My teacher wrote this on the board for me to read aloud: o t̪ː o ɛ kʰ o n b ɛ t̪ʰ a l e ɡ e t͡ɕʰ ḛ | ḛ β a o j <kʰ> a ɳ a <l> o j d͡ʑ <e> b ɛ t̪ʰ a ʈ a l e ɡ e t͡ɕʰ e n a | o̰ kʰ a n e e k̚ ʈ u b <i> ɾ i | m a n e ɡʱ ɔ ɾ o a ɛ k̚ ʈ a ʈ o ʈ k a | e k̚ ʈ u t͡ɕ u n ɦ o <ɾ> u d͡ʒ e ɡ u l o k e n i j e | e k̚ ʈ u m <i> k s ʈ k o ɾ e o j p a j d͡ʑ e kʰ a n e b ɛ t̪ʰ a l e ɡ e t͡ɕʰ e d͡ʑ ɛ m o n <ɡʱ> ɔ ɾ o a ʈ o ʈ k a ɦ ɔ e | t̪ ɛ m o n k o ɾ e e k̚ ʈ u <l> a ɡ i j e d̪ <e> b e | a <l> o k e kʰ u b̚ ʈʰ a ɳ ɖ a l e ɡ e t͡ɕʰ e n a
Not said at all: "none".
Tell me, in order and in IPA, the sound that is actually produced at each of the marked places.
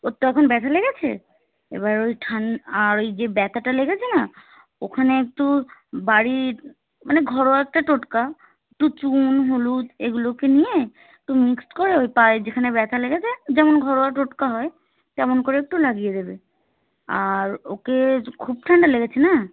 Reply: ʈʰ, ɾ, e, a, l, i, ɡʱ, l, e, ɾ

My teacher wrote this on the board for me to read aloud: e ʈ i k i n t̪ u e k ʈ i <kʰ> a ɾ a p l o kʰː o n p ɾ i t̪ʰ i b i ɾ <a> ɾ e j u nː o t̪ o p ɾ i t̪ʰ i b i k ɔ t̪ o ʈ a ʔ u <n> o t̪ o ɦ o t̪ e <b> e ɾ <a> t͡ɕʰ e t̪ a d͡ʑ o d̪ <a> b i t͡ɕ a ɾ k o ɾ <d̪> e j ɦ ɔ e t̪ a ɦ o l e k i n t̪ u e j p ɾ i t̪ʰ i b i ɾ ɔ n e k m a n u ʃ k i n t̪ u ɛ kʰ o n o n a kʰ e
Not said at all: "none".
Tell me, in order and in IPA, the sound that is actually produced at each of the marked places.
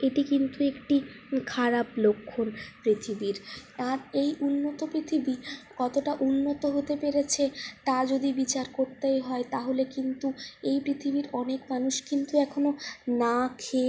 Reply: kʰ, a, nː, p, e, i, t̪

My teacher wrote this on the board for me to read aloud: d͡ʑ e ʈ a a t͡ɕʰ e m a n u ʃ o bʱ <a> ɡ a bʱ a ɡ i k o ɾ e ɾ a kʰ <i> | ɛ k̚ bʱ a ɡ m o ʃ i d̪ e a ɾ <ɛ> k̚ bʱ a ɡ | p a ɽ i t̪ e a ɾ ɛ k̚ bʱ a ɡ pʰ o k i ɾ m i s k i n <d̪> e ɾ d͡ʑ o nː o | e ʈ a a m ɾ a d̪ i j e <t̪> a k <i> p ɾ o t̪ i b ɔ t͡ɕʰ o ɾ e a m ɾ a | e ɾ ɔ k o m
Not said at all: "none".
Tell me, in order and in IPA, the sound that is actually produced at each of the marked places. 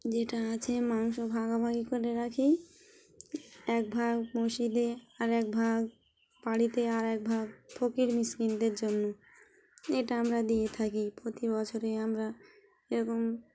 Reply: a, i, ɛ, d̪, t̪ʰ, i

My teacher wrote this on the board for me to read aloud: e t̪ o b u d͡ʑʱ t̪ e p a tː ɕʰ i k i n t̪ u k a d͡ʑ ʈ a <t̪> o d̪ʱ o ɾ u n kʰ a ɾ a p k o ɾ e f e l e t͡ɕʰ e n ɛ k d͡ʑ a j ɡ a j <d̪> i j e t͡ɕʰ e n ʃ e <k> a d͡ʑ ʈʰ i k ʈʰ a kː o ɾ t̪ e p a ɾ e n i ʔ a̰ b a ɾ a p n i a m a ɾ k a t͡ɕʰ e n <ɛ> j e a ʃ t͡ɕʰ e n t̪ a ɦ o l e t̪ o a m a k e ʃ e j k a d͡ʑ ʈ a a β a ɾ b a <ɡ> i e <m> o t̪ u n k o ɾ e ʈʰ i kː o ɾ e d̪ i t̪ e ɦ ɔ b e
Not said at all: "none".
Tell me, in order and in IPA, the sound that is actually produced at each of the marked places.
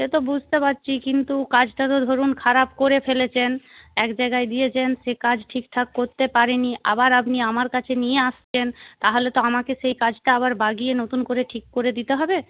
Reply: t̪, d̪, k, i, ɡ, n

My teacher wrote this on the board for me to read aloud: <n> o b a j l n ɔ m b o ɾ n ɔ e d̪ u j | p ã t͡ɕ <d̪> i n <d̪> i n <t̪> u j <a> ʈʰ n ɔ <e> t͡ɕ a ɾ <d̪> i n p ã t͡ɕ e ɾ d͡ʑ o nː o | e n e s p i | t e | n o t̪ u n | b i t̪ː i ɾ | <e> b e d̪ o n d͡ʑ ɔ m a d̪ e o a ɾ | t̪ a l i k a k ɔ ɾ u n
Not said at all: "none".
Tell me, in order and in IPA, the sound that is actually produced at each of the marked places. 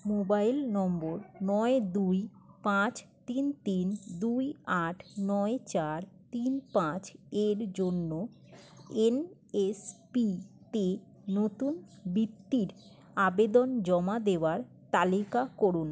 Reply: m, t̪, t̪, d̪, a, e, t̪, a

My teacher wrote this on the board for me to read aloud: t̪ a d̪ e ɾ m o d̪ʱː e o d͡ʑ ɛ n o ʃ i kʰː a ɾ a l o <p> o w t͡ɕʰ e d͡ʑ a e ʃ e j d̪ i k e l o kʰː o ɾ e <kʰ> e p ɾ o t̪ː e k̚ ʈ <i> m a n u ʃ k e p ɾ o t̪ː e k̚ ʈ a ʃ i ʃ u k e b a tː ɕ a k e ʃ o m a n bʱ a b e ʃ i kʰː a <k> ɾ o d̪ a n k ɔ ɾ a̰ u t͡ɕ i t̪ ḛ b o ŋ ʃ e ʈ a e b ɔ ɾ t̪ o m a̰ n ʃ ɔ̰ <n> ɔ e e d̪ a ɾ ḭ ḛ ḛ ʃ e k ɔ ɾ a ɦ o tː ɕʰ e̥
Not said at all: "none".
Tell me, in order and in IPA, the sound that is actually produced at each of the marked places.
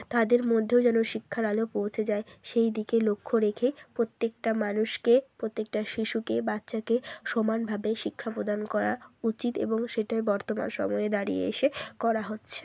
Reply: p, kʰ, a, p, m

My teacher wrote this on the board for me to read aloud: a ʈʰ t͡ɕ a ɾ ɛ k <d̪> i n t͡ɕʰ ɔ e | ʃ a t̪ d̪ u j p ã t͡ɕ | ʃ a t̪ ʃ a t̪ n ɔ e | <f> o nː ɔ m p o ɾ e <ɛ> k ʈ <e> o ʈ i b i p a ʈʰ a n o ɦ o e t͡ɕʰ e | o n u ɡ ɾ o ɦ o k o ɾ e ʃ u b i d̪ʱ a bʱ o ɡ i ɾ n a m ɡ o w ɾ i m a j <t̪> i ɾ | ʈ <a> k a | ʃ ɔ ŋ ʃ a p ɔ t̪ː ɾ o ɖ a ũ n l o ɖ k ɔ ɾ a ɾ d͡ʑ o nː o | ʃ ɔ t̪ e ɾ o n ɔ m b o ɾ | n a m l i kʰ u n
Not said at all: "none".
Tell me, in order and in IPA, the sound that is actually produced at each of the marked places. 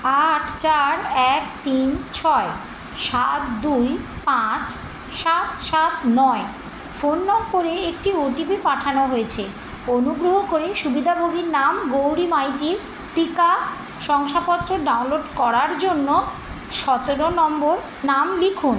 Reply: t̪, f, e, i, t̪, i

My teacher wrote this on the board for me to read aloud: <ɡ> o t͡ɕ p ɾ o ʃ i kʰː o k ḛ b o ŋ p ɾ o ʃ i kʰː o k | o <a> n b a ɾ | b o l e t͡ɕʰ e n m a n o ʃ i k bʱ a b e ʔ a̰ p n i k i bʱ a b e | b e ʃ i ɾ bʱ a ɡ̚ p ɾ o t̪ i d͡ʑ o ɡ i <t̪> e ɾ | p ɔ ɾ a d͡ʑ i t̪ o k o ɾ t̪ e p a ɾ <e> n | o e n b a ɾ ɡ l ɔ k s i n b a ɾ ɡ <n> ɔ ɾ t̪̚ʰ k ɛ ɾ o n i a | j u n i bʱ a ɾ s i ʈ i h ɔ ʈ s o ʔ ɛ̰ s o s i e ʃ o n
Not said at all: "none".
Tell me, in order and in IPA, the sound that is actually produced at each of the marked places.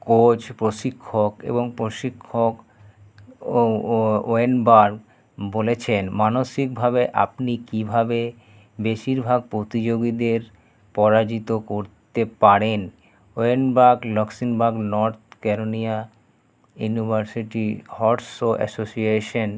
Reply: k, e, d̪, e, n

